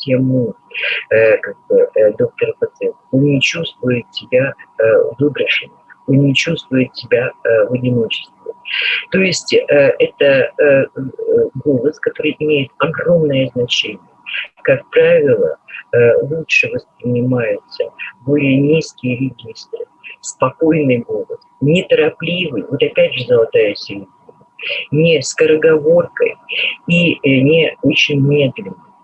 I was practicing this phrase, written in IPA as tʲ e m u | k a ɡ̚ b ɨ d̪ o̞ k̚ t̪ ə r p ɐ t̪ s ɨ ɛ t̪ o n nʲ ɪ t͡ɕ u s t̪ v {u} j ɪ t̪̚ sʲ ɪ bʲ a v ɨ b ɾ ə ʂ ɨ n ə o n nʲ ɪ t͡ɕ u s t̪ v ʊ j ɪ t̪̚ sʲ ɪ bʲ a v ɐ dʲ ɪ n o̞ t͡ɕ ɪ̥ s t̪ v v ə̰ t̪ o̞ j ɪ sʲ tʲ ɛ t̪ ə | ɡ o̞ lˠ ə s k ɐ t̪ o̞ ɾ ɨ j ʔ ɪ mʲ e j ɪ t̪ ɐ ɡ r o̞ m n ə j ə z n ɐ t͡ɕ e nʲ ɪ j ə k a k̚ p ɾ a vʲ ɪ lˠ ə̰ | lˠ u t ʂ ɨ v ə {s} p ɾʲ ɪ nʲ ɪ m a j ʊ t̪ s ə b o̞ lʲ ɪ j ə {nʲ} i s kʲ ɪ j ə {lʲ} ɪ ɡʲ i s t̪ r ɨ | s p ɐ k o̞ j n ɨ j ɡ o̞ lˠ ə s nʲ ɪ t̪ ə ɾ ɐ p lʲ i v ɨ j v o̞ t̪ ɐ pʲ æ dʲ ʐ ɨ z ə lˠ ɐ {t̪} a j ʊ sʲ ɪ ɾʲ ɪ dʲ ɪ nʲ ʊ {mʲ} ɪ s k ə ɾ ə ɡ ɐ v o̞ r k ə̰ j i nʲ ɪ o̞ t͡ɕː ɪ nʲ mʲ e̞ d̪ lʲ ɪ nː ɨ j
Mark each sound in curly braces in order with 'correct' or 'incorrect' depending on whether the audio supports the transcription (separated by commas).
incorrect, correct, correct, incorrect, correct, incorrect